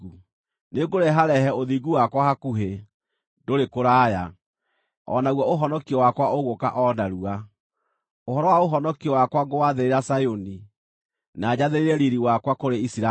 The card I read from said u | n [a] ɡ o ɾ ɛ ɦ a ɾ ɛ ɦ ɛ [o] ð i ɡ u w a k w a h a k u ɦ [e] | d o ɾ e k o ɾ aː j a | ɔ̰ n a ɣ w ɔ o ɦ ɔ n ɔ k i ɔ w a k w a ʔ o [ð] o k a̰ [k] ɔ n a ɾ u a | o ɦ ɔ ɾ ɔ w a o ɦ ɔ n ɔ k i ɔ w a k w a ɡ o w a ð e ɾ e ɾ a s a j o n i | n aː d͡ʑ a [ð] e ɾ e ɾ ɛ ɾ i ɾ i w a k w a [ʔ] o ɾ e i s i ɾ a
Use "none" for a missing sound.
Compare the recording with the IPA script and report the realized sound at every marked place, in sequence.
e, o, e, ɣ, ʔ, ð, k

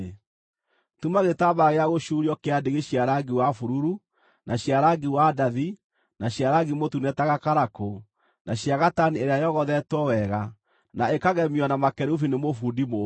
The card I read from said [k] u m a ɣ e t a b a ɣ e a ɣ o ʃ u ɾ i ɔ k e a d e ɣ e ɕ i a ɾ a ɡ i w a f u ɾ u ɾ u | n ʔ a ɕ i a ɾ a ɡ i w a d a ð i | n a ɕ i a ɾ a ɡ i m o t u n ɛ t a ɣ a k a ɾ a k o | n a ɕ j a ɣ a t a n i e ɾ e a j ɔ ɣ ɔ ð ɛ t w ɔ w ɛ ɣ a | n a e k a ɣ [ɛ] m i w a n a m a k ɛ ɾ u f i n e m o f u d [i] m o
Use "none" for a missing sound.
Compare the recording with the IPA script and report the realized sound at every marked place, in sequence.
t, ɛ, i

